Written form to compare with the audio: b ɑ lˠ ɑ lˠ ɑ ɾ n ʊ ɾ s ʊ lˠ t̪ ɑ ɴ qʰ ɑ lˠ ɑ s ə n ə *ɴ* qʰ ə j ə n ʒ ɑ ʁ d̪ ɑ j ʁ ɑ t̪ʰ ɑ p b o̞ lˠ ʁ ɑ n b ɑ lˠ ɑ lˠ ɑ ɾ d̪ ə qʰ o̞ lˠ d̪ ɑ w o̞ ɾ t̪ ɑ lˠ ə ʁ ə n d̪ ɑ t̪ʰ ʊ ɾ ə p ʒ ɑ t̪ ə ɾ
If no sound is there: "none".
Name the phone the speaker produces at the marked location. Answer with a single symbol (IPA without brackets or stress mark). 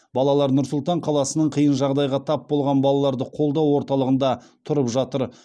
ɴ